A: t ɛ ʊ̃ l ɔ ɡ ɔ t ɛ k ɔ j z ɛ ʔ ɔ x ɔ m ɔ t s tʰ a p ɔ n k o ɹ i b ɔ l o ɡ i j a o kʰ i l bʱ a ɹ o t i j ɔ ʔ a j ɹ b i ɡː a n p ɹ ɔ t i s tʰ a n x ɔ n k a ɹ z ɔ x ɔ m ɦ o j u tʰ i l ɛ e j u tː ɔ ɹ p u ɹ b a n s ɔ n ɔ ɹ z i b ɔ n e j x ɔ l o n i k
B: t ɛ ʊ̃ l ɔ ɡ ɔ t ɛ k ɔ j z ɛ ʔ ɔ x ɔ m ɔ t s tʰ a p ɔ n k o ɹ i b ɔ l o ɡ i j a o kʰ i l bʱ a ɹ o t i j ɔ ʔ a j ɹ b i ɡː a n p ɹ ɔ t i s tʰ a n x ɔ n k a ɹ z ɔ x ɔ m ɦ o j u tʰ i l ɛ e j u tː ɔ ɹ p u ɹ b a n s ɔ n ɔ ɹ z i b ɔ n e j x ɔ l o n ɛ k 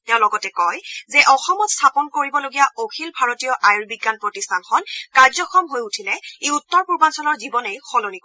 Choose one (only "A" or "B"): A